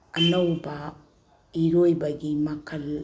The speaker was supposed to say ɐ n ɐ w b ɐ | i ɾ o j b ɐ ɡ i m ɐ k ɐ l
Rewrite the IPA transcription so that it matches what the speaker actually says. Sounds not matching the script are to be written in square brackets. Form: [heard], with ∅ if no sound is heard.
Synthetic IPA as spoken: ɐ n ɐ w b ɐ | i ɾ o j b ɐ ɡ i m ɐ [kʰ] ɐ l

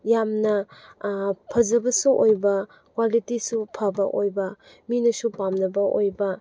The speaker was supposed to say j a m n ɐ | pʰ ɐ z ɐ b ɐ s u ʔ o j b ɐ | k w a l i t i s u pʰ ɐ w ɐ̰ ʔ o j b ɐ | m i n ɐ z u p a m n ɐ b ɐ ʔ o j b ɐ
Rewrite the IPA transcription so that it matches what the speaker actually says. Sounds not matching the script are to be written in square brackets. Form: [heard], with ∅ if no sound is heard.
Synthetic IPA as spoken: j a m n ɐ | pʰ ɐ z ɐ b ɐ s u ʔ o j b ɐ | k w a l i t i s u pʰ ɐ [b] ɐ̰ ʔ o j b ɐ | m i n ɐ [s] u p a m n ɐ b ɐ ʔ o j b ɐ

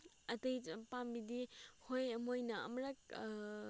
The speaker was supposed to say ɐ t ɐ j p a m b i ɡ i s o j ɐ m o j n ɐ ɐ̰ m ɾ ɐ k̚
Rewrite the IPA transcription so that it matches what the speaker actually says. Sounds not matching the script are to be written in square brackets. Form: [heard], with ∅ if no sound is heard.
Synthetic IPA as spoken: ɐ t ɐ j p a m b i [d] i [h] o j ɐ m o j n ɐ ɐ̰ m ɾ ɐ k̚

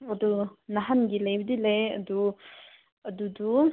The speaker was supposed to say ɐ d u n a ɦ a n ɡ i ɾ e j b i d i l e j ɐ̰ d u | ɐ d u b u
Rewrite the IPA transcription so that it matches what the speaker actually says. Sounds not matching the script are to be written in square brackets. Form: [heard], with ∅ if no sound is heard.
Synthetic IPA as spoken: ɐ d u n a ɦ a n ɡ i [l] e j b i d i l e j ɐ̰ d u | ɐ d u [d] u

